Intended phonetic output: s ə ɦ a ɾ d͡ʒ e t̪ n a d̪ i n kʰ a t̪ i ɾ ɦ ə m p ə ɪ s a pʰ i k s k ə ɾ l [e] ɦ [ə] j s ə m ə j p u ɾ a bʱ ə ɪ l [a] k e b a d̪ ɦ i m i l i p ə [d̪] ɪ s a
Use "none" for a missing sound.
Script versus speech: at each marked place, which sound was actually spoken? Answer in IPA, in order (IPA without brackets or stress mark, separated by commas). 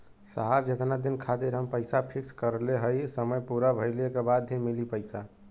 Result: e, ə, e, none